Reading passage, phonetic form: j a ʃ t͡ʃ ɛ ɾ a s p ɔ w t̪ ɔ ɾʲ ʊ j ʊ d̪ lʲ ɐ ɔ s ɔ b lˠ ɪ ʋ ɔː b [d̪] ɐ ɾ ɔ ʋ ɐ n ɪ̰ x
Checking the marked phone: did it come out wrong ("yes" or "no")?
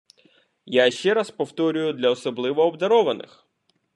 no